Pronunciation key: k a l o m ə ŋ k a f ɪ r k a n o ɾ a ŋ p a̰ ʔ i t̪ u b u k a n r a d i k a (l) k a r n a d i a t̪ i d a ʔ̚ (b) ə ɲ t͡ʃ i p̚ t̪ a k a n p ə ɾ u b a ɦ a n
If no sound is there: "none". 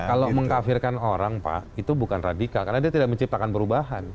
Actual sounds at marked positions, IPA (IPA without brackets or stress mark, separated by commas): l, m